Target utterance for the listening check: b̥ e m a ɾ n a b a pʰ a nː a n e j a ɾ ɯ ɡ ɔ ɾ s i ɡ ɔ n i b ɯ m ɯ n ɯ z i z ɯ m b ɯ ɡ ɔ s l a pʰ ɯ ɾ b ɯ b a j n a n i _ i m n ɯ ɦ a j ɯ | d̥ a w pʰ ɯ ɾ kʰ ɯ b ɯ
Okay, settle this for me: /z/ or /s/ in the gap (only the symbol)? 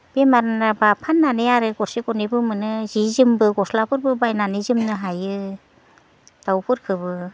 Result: z